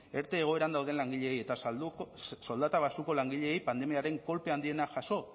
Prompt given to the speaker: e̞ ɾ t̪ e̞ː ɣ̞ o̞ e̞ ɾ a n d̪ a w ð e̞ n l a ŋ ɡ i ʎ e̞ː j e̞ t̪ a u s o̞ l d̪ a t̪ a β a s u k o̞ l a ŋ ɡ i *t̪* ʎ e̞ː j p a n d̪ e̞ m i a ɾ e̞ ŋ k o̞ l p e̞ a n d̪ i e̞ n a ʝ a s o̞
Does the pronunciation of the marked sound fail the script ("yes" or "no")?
yes